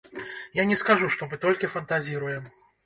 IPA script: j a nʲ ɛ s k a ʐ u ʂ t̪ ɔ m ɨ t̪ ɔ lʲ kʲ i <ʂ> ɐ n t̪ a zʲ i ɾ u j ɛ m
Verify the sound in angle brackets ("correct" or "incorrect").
incorrect